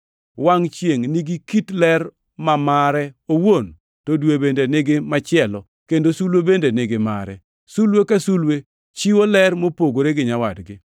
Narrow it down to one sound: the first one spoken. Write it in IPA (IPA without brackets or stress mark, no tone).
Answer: w